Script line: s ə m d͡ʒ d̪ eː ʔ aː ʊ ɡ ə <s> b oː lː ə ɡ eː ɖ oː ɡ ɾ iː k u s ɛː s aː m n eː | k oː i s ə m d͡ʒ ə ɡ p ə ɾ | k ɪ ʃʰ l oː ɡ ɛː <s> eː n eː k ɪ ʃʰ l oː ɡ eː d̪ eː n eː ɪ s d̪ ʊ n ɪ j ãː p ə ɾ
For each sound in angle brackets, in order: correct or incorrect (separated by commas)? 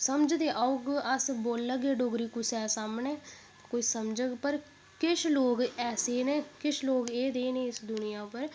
correct, correct